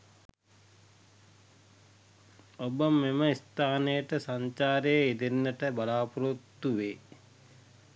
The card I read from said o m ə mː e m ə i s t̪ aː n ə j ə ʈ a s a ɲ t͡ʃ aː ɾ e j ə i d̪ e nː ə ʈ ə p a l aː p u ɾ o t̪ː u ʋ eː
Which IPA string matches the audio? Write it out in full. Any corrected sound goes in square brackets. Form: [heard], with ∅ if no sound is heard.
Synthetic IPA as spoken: o [b] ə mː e m ə i s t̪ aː n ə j ə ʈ [ə] s a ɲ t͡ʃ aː ɾ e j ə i d̪ e nː ə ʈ ə [b] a l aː p u ɾ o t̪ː u ʋ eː